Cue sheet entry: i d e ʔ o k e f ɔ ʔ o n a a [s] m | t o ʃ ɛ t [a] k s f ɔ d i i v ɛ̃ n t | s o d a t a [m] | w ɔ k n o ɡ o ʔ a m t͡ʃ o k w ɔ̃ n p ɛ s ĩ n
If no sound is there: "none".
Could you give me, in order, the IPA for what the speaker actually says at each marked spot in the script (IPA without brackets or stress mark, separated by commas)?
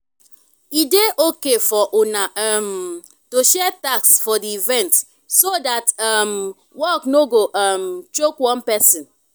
none, a, m